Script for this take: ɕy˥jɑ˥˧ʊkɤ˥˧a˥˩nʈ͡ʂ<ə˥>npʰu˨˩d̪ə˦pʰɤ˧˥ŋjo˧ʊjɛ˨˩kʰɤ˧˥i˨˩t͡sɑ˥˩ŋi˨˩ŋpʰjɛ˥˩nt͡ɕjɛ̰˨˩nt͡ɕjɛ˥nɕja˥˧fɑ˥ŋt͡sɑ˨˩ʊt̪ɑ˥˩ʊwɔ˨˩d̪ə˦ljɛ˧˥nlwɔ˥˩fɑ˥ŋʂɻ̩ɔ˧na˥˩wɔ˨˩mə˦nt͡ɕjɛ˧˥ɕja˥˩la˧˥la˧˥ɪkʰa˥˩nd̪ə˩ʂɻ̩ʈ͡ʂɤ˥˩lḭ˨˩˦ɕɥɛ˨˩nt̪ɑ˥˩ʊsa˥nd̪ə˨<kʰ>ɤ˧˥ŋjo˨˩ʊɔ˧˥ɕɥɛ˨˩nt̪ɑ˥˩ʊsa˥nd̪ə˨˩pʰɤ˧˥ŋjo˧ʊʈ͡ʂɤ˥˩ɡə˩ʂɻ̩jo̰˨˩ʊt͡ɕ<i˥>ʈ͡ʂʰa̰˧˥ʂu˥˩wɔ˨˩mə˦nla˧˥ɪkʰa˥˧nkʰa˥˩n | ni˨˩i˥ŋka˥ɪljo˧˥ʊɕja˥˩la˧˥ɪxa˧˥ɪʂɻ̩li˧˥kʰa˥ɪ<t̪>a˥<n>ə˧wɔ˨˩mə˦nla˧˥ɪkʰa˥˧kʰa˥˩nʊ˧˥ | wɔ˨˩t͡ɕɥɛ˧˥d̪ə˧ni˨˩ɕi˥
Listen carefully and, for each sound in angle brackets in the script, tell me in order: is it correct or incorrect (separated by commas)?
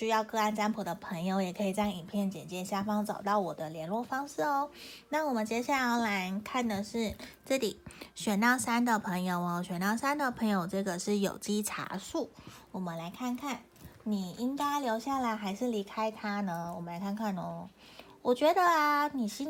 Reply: incorrect, incorrect, correct, incorrect, correct